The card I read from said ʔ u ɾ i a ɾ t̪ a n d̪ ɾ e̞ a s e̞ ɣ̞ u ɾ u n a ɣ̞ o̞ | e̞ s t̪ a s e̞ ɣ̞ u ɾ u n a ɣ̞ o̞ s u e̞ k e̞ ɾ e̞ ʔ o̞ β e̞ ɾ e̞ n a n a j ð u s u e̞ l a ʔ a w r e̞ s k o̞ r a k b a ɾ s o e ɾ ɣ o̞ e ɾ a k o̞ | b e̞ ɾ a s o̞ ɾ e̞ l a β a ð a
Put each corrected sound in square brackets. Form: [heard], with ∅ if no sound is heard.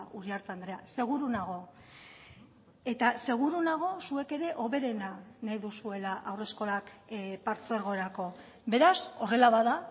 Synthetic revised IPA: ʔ u ɾ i a ɾ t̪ a n d̪ ɾ e̞ a s e̞ ɣ̞ u ɾ u n a ɣ̞ o̞ | e̞ [∅] t̪ a s e̞ ɣ̞ u ɾ u n a ɣ̞ o̞ s u e̞ k e̞ ɾ e̞ ʔ o̞ β e̞ ɾ e̞ n a n a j ð u s u e̞ l a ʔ a w r e̞ s k o̞ [l] a k [p] a ɾ [t͡s] o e ɾ ɣ o̞ e ɾ a k o̞ | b e̞ ɾ a s o̞ [r] e̞ l a β a ð a